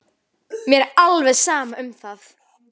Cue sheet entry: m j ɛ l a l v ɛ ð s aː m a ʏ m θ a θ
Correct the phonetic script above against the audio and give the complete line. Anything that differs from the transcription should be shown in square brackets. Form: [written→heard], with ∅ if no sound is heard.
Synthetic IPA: m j ɛ [l→ɾ] a l v ɛ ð s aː m a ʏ m θ a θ